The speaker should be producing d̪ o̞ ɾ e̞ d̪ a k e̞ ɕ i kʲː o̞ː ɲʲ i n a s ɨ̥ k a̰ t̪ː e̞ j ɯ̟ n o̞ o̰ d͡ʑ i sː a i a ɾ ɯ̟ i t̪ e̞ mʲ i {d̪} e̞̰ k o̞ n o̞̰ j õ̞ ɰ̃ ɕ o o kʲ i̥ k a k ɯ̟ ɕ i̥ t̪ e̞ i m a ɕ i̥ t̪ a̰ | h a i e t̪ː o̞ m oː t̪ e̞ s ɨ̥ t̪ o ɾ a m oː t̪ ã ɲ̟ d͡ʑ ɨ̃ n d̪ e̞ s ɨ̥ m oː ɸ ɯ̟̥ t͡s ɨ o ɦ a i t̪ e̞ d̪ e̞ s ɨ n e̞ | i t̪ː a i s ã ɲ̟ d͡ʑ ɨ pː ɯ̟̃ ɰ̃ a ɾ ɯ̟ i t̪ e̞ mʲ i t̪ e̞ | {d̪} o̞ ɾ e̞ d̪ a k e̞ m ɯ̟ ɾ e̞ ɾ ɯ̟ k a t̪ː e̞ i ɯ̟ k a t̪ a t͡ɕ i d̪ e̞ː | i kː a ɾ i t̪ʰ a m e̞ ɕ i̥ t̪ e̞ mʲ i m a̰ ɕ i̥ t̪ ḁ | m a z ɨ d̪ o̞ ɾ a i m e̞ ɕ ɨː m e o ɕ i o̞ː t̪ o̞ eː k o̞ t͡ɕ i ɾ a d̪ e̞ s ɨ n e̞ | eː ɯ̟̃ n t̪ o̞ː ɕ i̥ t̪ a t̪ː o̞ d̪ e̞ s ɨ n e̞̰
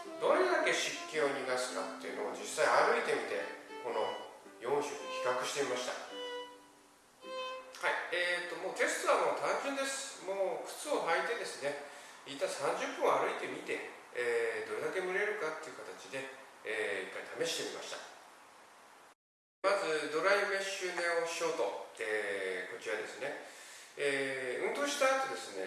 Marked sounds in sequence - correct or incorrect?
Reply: incorrect, correct

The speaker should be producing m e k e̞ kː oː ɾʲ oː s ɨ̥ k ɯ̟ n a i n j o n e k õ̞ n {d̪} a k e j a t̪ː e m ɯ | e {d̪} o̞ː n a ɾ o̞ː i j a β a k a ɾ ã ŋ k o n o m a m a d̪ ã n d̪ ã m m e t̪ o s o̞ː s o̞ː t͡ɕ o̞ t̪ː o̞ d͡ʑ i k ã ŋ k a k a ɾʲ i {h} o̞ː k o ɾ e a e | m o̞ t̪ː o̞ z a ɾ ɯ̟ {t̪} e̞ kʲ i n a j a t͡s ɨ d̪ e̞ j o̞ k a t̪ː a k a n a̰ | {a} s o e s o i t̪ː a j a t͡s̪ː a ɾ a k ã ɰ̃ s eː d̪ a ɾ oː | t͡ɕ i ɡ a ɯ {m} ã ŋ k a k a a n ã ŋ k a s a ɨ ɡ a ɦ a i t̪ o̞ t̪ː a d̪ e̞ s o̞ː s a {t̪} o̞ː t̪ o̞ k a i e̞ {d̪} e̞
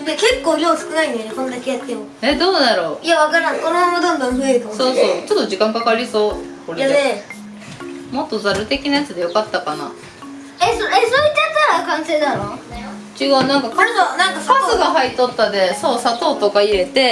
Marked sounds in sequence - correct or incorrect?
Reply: correct, correct, incorrect, correct, incorrect, incorrect, correct, incorrect

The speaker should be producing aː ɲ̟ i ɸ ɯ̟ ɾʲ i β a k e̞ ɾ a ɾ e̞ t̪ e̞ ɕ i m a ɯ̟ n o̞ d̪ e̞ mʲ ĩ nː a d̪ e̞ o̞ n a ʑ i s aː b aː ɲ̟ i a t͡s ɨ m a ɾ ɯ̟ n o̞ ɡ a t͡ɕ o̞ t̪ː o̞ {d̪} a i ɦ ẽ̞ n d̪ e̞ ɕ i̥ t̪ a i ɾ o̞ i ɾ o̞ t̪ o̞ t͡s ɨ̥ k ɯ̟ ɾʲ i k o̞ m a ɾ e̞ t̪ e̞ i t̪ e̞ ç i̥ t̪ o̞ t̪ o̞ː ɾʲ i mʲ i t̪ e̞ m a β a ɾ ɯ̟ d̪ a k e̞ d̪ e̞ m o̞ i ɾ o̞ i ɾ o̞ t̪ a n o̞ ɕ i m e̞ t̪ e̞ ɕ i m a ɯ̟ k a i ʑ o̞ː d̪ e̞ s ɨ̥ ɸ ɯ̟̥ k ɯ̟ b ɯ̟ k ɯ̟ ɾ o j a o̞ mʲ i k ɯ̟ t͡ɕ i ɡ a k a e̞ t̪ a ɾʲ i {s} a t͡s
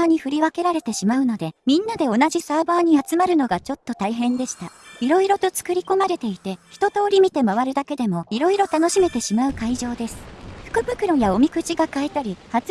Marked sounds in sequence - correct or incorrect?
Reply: incorrect, incorrect

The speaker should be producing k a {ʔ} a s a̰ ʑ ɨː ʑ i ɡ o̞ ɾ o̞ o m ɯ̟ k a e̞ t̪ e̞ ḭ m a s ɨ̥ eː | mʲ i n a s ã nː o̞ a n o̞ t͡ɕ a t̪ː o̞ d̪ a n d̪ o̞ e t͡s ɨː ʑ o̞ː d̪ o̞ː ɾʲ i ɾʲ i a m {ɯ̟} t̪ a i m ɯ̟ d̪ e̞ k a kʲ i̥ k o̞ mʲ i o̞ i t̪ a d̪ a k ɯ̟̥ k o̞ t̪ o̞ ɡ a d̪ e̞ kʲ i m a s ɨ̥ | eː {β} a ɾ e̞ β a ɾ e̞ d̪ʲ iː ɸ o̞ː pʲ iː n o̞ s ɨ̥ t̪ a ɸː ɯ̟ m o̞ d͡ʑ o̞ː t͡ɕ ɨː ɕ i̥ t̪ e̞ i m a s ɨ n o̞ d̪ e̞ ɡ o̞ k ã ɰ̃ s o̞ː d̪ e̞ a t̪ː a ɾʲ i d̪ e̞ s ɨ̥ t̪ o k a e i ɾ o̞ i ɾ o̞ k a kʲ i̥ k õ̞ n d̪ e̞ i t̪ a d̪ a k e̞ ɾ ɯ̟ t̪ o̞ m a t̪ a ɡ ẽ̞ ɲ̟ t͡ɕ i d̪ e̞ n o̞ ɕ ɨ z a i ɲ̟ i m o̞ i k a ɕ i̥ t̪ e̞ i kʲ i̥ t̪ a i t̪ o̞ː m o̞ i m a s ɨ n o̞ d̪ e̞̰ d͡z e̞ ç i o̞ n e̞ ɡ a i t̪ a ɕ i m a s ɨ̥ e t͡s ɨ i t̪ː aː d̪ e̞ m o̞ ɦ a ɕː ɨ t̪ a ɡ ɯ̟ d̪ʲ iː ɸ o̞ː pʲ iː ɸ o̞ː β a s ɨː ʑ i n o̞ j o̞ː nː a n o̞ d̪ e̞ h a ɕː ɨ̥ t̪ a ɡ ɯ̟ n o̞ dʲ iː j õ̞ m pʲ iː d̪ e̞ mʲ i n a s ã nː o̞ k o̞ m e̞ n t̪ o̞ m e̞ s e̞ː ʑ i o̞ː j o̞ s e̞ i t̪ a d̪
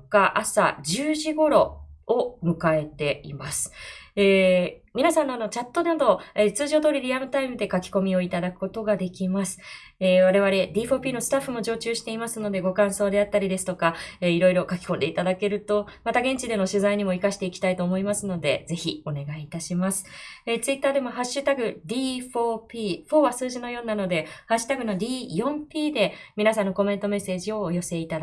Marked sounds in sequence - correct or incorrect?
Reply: correct, correct, correct

